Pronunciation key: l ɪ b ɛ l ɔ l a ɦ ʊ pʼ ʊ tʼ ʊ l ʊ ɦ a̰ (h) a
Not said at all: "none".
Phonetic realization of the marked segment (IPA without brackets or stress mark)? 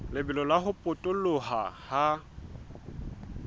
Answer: h